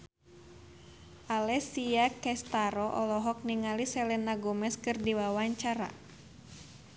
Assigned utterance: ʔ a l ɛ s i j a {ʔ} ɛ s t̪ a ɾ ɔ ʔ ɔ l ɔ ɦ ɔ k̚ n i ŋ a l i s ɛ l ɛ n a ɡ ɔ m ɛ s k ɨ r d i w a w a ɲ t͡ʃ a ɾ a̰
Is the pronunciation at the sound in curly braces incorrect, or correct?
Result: incorrect